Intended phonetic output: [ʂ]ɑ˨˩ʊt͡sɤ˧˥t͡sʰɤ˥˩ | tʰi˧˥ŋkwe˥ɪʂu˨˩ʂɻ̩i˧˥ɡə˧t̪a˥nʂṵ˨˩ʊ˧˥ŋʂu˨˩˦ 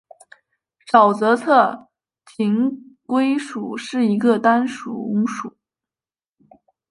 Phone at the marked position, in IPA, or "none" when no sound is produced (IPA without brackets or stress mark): ʂ